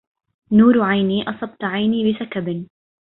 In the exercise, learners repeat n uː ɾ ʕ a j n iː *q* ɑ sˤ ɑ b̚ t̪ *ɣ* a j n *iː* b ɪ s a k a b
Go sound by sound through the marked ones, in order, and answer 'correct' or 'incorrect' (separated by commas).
incorrect, incorrect, correct